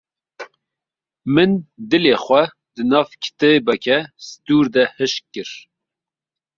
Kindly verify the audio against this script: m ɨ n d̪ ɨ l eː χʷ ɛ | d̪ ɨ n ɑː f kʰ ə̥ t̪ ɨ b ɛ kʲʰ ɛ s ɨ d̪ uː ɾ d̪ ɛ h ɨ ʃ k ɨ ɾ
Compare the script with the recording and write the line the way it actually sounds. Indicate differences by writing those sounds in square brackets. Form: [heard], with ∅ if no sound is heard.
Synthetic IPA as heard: m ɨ n d̪ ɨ l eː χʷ ɛ | d̪ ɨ n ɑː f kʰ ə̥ t̪ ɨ b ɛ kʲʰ ɛ s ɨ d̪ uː ɾ d̪ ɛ h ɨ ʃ k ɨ ɾ